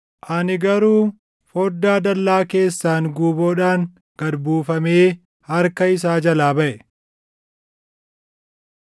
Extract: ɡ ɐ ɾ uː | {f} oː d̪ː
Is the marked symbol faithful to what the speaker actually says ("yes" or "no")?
yes